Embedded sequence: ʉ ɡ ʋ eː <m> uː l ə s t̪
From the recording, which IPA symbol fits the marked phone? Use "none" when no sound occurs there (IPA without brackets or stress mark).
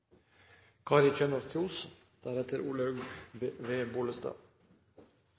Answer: b